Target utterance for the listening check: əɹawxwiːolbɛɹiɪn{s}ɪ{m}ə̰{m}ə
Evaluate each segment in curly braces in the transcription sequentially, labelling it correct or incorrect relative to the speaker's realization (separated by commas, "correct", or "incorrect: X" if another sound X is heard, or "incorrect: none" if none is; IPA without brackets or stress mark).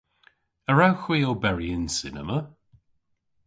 correct, incorrect: n, correct